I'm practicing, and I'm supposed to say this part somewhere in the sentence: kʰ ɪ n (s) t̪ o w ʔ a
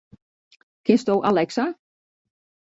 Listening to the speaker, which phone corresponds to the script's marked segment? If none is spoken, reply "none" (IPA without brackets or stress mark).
s